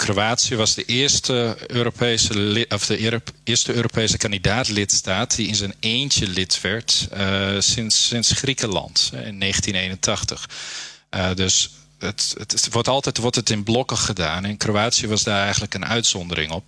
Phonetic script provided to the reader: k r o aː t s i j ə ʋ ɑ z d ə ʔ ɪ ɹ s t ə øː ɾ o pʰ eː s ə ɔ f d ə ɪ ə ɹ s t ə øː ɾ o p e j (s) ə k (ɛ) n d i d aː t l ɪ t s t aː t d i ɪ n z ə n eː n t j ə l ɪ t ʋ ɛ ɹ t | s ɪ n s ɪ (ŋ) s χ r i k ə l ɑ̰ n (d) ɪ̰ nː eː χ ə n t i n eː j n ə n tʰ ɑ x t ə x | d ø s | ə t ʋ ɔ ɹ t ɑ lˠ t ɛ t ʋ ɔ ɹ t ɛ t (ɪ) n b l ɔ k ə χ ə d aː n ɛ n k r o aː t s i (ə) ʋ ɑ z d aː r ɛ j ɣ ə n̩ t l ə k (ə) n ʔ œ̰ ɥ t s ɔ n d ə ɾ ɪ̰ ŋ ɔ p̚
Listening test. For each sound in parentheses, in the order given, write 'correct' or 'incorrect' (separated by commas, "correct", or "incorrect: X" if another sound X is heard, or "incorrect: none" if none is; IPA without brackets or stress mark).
correct, incorrect: a, incorrect: n, incorrect: t, correct, correct, correct